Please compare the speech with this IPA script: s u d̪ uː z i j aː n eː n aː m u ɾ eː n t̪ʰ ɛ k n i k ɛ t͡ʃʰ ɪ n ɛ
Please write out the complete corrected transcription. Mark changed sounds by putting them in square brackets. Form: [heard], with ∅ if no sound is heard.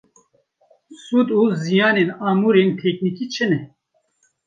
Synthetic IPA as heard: s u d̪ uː z i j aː n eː n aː m u ɾ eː n t̪ʰ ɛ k n i k [i] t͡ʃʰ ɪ n ɛ

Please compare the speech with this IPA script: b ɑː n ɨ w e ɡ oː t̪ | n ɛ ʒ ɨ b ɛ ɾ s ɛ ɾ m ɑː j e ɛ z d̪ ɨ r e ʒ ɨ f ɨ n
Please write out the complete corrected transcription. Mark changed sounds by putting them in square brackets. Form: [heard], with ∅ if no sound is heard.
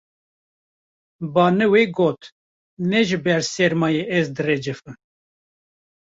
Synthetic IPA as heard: b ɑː n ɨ w e ɡ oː t̪ | n ɛ ʒ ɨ b ɛ ɾ s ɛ ɾ m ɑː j e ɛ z d̪ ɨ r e [d͡ʒ] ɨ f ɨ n

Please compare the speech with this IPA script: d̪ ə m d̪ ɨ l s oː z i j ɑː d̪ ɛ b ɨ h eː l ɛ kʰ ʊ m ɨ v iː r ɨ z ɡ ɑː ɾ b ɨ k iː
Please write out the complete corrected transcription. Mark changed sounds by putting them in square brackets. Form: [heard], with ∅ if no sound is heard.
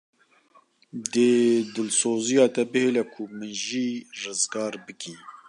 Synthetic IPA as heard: d̪ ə [∅] d̪ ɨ l s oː z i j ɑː [t̪] ɛ b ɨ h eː l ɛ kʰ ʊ m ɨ [ʒ] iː r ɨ z ɡ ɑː ɾ b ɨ k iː

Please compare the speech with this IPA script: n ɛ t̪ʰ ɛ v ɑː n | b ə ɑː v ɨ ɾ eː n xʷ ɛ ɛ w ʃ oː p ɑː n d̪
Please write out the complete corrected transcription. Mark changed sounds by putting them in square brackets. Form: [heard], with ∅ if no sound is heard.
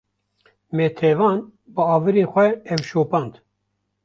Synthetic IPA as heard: [m] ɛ t̪ʰ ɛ v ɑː n | b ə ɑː v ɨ ɾ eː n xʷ ɛ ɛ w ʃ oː p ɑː n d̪

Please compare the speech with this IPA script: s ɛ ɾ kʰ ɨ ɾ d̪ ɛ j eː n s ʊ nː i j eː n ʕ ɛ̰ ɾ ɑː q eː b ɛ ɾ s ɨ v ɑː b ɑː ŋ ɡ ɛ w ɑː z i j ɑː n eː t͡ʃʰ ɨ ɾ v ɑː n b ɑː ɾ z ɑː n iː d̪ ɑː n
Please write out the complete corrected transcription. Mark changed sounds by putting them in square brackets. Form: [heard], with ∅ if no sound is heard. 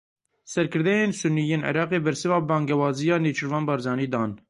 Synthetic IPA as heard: s ɛ ɾ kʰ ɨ ɾ d̪ ɛ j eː n s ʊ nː i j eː n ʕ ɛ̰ ɾ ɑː q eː b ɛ ɾ s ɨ v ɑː b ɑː ŋ ɡ ɛ w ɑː z i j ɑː n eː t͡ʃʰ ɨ ɾ v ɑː n b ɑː ɾ z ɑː n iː d̪ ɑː n

